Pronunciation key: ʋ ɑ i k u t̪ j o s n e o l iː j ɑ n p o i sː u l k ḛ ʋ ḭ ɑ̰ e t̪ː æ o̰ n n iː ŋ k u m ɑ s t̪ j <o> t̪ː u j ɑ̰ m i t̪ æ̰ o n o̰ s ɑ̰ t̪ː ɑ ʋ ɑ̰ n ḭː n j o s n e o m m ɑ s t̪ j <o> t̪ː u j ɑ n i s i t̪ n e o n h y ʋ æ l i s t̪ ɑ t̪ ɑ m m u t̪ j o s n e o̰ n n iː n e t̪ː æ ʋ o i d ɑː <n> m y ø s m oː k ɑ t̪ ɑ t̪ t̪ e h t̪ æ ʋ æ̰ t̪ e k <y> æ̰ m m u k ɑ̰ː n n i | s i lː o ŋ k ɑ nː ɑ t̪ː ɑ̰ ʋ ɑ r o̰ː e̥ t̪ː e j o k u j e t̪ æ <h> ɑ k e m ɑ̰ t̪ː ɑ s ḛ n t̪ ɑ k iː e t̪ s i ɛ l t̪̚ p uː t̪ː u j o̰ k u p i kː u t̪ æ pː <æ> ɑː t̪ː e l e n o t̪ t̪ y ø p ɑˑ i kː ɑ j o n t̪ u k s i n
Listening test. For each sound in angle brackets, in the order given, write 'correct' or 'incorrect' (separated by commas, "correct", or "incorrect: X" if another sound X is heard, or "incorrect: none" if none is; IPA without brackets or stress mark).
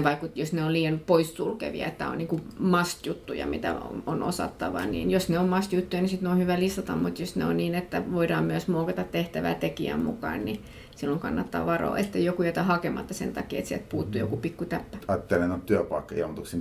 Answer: incorrect: u, incorrect: u, incorrect: m, incorrect: i, correct, correct